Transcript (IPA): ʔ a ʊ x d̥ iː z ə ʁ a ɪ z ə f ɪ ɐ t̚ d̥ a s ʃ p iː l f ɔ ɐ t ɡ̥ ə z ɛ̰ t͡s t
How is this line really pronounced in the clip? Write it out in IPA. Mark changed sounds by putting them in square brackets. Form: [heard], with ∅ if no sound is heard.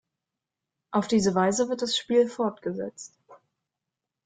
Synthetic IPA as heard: ʔ a ʊ [f] d̥ iː z ə [v] a ɪ z ə [v] ɪ ɐ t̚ d̥ a s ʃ p iː l f ɔ ɐ t ɡ̥ ə z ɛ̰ t͡s t